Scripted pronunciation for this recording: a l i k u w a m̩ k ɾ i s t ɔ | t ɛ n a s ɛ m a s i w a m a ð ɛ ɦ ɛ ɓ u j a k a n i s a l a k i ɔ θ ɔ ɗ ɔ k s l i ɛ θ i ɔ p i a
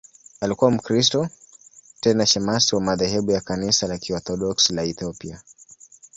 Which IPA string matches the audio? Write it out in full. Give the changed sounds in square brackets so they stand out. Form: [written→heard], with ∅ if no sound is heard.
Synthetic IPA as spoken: a l i k u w a m̩ k ɾ i s t ɔ | t ɛ n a [s→ʃ] ɛ m a s i w a m a ð ɛ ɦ ɛ ɓ u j a k a n i s a l a k i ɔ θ ɔ ɗ ɔ k s l [i→a] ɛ θ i ɔ p i a